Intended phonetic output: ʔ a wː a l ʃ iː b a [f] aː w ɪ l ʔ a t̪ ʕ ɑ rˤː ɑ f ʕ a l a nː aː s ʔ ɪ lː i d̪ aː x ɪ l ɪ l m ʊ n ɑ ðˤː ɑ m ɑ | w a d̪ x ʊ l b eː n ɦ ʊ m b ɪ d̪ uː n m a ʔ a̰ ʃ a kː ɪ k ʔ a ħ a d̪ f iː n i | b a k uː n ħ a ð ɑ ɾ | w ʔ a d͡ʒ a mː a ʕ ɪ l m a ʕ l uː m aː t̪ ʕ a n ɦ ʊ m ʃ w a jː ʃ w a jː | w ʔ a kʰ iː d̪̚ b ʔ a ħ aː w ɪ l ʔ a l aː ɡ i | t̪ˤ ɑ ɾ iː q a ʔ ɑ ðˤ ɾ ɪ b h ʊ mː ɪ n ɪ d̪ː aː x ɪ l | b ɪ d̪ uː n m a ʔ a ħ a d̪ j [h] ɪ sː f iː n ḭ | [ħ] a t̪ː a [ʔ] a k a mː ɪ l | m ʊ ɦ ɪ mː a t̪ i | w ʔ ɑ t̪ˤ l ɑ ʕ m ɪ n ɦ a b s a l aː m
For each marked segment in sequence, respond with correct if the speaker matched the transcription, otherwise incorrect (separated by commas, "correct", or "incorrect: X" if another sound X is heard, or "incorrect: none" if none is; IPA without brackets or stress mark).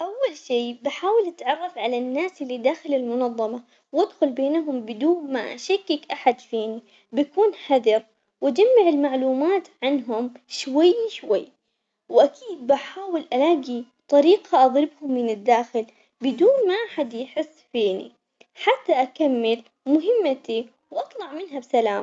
incorrect: ħ, incorrect: ħ, correct, correct